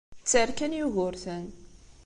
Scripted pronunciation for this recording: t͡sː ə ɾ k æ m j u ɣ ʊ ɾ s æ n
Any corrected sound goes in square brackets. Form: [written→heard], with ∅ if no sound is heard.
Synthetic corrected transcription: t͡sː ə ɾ k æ [m→n] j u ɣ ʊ ɾ [s→θ] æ n